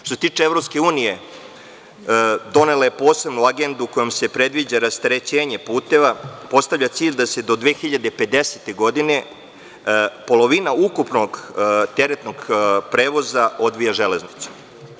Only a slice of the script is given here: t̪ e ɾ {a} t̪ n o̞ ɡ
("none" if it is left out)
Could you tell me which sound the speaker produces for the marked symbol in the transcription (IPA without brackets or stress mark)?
e